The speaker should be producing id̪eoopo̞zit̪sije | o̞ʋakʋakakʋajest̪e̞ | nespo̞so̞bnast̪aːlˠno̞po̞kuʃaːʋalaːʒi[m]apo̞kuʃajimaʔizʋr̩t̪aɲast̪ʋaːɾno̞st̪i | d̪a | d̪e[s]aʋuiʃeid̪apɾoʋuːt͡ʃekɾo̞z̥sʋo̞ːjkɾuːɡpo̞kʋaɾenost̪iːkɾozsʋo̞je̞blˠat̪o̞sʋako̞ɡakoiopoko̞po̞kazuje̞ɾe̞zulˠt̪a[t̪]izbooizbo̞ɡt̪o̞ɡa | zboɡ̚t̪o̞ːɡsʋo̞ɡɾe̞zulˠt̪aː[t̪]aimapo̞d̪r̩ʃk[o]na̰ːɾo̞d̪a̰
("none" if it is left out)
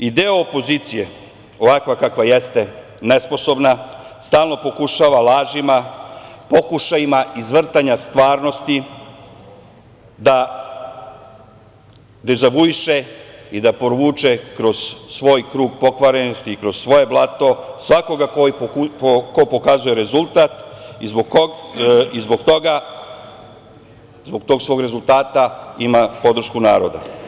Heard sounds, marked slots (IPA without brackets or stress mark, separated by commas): m, z, t̪, t̪, u